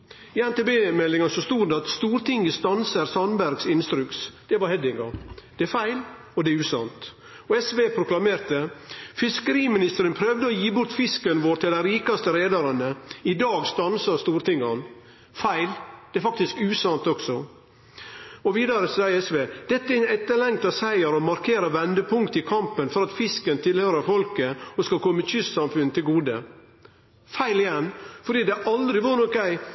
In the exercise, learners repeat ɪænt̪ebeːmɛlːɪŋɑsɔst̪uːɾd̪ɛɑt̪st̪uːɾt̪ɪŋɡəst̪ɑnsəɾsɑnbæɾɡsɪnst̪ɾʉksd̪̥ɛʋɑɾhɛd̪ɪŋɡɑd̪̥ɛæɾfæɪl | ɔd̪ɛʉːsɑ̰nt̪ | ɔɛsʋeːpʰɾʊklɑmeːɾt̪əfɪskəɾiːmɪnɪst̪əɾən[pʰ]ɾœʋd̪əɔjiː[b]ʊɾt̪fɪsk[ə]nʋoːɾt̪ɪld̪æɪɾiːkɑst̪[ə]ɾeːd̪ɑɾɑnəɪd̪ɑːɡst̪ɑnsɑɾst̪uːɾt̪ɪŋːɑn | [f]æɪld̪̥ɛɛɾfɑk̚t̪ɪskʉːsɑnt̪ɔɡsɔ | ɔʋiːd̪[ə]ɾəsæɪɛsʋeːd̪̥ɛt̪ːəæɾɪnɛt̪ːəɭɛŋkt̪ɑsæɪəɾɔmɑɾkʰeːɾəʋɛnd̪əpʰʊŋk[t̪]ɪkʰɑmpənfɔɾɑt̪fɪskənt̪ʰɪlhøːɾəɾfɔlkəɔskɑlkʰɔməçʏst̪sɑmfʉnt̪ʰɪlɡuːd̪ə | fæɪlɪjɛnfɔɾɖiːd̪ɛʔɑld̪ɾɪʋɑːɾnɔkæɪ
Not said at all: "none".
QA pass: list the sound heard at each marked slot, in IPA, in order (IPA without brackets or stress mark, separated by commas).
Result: pʰ, b, ə, ə, f, ɑ, t̪